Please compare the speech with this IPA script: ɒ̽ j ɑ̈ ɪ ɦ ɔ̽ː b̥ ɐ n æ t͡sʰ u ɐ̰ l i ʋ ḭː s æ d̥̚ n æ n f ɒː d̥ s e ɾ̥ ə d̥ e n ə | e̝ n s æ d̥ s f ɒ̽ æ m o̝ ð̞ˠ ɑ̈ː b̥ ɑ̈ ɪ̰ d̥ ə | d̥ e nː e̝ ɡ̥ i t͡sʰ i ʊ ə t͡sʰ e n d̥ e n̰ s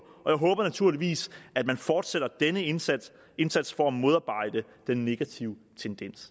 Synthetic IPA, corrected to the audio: ɒ̽ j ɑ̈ ɪ ɦ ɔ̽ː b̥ ɐ n æ t͡sʰ u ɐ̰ l i ʋ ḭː s æ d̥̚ m æ n f ɒː d̥ s e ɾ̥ ɐ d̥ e n ə | e̝ n s æ d̥ s f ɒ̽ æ m o̝ ð̞ˠ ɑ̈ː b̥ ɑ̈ ɪ̰ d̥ ə | d̥ e nː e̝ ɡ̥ æ t͡sʰ i ʊ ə t͡sʰ e n d̥ e n̰ s